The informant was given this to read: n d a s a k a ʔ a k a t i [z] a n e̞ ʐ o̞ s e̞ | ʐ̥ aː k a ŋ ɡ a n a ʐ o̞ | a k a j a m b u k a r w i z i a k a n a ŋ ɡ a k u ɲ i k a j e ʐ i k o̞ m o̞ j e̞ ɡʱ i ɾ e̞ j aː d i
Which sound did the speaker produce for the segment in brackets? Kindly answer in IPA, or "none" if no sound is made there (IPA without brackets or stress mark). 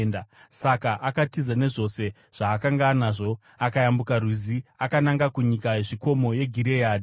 z